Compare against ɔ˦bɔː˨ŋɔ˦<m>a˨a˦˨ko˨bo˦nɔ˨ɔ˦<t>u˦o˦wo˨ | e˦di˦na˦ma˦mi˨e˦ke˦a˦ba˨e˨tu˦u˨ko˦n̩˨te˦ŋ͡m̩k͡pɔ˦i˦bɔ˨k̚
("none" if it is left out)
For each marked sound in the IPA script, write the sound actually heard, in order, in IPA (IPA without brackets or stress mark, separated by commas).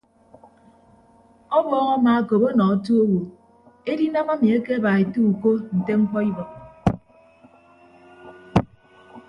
m, t